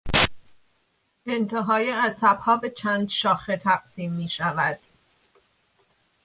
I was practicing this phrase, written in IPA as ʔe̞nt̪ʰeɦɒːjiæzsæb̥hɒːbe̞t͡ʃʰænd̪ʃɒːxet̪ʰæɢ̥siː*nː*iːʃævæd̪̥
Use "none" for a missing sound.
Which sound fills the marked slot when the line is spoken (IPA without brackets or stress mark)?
mː